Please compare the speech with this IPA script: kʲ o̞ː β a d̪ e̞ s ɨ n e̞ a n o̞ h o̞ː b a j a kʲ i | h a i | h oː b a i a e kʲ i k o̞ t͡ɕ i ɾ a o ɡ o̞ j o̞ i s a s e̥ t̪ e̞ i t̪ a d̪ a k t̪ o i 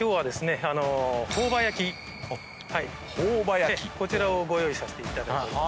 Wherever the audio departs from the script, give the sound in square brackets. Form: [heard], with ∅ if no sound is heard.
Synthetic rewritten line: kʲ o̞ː β a d̪ e̞ s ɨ n e̞ a n o̞ h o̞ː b a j a kʲ i | h a i | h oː b a [j] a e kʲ i k o̞ t͡ɕ i ɾ a o ɡ o̞ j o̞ i s a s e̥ t̪ e̞ i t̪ a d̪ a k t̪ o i